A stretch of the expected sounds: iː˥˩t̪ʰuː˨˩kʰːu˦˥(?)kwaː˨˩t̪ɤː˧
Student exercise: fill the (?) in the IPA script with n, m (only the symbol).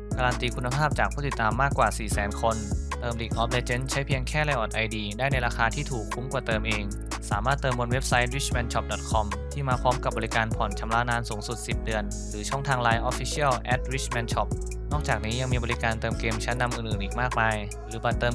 m